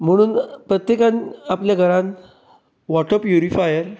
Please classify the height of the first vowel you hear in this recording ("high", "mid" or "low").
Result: mid